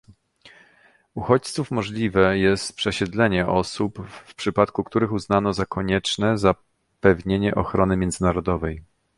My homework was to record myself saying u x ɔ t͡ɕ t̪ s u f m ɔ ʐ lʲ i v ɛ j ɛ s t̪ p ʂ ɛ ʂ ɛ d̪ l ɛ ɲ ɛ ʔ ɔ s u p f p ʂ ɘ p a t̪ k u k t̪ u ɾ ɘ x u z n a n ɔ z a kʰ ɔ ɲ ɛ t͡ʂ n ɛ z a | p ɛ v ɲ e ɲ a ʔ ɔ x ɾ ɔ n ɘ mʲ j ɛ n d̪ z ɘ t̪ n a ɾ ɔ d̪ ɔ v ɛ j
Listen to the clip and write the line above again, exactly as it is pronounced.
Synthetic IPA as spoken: u x ɔ t͡ɕ t̪ s u f m ɔ ʐ lʲ i v ɛ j ɛ s t̪ p ʂ ɛ ɕ ɛ d̪ l ɛ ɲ ɛ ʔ ɔ s u p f p ʂ ɘ p a t̪ k u k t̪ u ɾ ɘ x u z n a n ɔ z a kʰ ɔ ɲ ɛ t͡ʂ n ɛ z a | p ɛ v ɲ e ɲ ɛ ʔ ɔ x ɾ ɔ n ɘ mʲ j ɛ n d̪ z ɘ n a ɾ ɔ d̪ ɔ v ɛ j

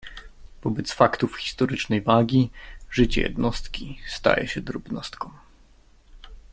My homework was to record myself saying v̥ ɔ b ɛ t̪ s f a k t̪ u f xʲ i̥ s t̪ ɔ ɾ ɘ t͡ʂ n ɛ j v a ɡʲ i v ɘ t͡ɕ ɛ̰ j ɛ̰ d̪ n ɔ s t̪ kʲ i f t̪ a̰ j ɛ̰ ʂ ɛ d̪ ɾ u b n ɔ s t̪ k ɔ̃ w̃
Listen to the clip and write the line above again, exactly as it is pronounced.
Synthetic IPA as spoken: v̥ ɔ b ɛ t̪ s f a k t̪ u f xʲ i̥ s t̪ ɔ ɾ ɘ t͡ʂ n ɛ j v a ɡʲ i ʐ ɘ t͡ɕ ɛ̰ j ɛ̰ d̪ n ɔ s t̪ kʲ i s t̪ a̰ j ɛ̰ ɕ ɛ d̪ ɾ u b n ɔ s t̪ k ɔ̃ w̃

